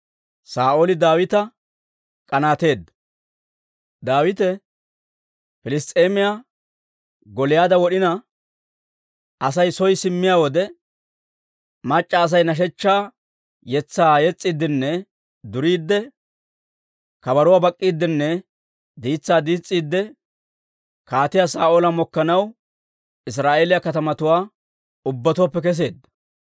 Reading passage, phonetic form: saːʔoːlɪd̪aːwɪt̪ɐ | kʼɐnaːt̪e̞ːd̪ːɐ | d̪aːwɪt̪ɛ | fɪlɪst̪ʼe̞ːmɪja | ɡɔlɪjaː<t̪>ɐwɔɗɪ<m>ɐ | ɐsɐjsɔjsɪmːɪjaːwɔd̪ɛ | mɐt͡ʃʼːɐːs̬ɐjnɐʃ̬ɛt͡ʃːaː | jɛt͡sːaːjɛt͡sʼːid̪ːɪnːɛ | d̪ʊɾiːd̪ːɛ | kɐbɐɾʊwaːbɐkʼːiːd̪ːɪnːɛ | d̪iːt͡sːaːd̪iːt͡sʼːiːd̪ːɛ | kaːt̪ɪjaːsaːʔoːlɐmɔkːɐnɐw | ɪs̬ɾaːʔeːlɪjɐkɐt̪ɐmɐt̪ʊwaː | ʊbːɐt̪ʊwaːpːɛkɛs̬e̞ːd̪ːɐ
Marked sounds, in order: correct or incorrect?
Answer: incorrect: d̪, incorrect: n

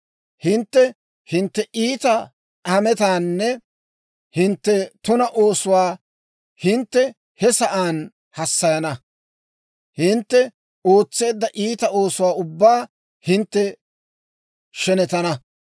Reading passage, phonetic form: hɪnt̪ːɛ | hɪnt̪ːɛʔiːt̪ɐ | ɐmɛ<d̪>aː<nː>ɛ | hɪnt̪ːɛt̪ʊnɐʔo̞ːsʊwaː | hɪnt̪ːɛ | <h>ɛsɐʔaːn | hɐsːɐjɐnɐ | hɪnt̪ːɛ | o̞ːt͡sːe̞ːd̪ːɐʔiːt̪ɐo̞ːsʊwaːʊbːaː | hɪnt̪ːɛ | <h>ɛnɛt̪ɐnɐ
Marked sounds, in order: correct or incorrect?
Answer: incorrect: t̪, correct, correct, incorrect: ʃ

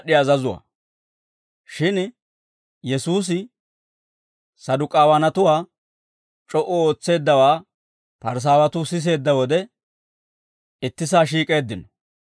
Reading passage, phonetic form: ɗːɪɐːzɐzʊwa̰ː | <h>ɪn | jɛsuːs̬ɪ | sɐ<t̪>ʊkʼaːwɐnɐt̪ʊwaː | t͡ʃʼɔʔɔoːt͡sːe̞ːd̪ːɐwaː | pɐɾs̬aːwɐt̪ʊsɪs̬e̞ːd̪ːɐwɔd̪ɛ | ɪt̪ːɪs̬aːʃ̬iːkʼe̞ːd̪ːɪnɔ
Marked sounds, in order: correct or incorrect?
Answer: incorrect: ʃ, incorrect: d̪

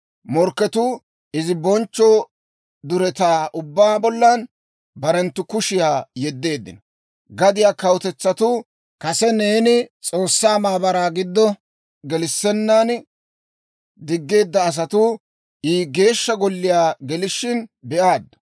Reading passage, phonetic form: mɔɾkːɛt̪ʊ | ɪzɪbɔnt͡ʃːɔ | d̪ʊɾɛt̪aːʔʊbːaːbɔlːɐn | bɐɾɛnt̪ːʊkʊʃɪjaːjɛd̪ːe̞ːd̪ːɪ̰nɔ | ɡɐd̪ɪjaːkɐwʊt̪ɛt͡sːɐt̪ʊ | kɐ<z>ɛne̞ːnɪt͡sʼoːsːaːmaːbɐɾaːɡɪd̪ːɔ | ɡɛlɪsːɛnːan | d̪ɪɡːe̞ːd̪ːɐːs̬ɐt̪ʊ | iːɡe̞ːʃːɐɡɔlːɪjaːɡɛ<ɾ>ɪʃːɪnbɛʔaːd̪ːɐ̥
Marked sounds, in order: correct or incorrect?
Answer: incorrect: s, incorrect: l

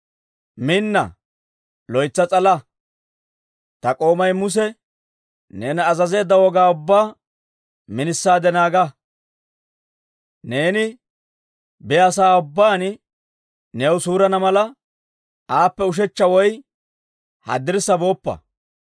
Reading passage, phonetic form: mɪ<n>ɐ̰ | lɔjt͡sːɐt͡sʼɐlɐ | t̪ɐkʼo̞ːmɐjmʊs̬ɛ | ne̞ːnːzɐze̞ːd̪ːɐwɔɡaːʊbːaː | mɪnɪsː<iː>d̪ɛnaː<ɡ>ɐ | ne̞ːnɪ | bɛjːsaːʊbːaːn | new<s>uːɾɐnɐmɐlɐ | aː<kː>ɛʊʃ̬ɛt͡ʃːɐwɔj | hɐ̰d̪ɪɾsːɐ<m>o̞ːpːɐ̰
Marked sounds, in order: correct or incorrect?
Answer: incorrect: nː, incorrect: aː, correct, correct, incorrect: pː, incorrect: b

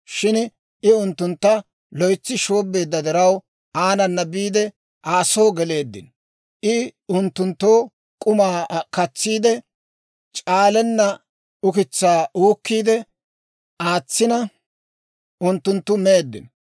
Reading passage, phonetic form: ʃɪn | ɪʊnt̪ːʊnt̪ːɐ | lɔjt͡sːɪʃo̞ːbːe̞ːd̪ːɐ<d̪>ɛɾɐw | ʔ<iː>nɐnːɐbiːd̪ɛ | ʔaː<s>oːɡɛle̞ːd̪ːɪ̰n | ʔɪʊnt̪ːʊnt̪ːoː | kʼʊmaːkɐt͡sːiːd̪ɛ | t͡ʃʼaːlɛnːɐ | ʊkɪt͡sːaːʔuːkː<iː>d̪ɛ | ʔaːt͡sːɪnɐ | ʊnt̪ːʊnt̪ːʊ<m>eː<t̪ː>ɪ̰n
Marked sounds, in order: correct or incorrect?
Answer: correct, incorrect: aː, correct, correct, correct, incorrect: d̪ː

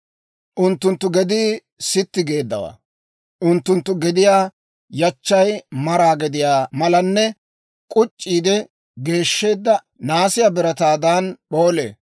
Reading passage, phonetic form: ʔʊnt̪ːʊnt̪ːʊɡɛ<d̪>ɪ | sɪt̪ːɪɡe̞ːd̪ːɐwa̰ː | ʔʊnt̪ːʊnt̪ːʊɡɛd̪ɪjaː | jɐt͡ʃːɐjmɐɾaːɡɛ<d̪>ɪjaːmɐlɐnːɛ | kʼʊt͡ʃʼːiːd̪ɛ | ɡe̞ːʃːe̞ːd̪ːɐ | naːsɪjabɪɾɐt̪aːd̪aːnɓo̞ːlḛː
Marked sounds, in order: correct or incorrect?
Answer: correct, correct

